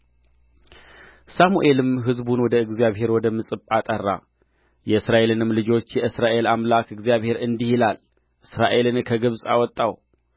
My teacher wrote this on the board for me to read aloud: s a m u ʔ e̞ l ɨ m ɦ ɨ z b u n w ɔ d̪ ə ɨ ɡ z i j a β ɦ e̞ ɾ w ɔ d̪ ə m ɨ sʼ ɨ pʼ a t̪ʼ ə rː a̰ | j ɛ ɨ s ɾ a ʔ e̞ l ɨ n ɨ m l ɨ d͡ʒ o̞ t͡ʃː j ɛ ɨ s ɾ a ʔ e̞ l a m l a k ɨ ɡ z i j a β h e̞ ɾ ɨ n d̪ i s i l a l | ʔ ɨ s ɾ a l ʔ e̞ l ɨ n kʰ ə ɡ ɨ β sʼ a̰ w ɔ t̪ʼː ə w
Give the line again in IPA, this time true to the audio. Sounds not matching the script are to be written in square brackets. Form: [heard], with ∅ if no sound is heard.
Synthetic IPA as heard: s a m u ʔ e̞ l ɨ m ɦ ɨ z b u n w ɔ d̪ ə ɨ ɡ z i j a β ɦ e̞ ɾ w ɔ d̪ ə m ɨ sʼ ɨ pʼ a t̪ʼ ə rː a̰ | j ɛ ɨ s ɾ a ʔ e̞ l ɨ n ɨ m l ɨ d͡ʒ o̞ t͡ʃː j ɛ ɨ s ɾ a ʔ e̞ l a m l a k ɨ ɡ z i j a β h e̞ ɾ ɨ n d̪ i [h] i l a l | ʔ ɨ s ɾ a [∅] ʔ e̞ l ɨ n kʰ ə ɡ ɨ β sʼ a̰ w ɔ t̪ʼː [a] w

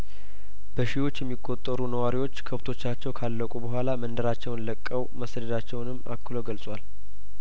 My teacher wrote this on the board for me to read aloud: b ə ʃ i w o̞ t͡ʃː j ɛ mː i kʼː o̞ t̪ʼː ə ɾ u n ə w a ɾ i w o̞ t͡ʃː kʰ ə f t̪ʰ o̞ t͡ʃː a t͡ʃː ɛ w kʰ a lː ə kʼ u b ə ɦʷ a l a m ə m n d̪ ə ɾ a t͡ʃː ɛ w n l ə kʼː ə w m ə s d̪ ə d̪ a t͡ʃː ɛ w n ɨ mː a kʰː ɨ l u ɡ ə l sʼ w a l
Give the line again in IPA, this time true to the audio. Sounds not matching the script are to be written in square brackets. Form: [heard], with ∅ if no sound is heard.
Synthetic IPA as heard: b ə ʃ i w o̞ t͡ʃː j ɛ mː i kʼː o̞ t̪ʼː ə ɾ u n ə w a ɾ i w o̞ t͡ʃː kʰ ə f t̪ʰ o̞ t͡ʃː a t͡ʃː ɛ w kʰ a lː ə kʼ u b ə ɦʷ a l a m ə [∅] n d̪ ə ɾ a t͡ʃː ɛ w n l ə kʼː ə w m ə s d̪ ə d̪ a t͡ʃː ɛ w n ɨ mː a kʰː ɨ l [o] ɡ ə l sʼ w a l

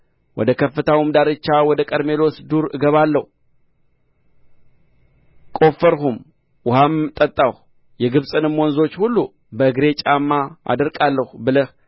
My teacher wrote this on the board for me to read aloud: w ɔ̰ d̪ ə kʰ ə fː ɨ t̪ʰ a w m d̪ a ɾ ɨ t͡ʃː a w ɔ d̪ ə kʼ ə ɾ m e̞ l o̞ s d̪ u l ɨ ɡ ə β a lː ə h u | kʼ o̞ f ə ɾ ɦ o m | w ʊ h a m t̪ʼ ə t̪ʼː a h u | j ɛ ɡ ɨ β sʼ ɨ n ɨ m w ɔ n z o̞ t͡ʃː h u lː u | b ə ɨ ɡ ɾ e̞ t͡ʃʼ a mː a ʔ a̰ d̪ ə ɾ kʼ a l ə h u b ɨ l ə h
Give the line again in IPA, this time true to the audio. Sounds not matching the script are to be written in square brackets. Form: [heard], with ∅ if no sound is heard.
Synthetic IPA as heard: w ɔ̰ d̪ ə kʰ ə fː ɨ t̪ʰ a w m d̪ a ɾ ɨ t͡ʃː a w ɔ d̪ ə kʼ ə ɾ m e̞ l o̞ s d̪ u [ɾ] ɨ ɡ ə β a lː ə h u | kʼ o̞ f ə ɾ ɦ [u] m | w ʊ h a m t̪ʼ ə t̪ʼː a h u | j ɛ ɡ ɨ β sʼ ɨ n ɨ m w ɔ n z o̞ t͡ʃː h u lː u | b ə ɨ ɡ ɾ e̞ t͡ʃʼ a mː a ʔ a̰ d̪ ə ɾ kʼ a [lː] ə h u b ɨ l ə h

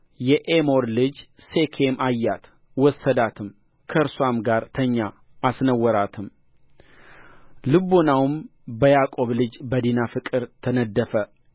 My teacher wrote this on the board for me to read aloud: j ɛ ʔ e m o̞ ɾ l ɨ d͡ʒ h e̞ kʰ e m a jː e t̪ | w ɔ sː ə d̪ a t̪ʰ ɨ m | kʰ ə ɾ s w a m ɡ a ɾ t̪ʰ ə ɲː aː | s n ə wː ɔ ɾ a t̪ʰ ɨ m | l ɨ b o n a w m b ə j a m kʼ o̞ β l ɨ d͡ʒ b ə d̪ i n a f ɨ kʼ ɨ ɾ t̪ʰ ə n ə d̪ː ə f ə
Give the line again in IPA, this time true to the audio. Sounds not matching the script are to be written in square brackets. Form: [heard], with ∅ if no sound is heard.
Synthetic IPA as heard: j ɛ ʔ e m o̞ ɾ l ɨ d͡ʒ [s] e̞ kʰ e m a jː [a] t̪ | w ɔ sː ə d̪ a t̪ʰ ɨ m | kʰ ə ɾ s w a m ɡ a ɾ t̪ʰ ə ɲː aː | s n ə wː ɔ ɾ a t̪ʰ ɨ m | l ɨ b o n a w m b ə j a [∅] kʼ o̞ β l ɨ d͡ʒ b ə d̪ i n a f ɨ kʼ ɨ ɾ t̪ʰ ə n ə d̪ː ə f ə

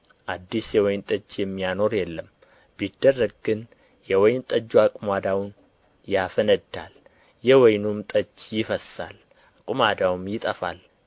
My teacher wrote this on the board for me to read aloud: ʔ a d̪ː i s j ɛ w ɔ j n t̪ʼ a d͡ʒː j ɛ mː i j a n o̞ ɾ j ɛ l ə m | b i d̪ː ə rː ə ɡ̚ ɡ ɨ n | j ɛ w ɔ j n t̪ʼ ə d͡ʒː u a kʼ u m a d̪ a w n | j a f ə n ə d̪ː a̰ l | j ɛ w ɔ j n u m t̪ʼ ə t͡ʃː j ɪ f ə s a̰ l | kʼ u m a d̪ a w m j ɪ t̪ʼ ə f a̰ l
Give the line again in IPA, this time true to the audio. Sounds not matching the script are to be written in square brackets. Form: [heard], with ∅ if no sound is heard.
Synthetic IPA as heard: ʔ a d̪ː i s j ɛ w ɔ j n t̪ʼ [ə] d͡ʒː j ɛ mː i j a n o̞ ɾ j ɛ [lː] ə m | b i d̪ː ə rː ə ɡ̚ ɡ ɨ n | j ɛ w ɔ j n t̪ʼ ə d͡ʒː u a kʼ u m a d̪ a w n | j a f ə n ə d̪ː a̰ l | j ɛ w ɔ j n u m t̪ʼ ə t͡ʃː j ɪ f ə s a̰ l | kʼ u m a d̪ a w m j ɪ t̪ʼ ə f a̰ l

